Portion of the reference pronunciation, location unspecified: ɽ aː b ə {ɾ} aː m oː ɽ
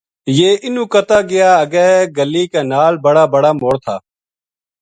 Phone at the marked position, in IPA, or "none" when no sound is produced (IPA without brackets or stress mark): ɽ